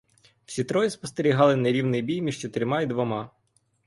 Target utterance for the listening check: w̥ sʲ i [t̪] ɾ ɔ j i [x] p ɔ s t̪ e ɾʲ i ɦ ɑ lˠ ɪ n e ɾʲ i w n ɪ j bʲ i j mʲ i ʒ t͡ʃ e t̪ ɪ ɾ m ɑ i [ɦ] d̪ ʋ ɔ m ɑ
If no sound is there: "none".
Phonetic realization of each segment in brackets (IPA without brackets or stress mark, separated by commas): t̪, s, none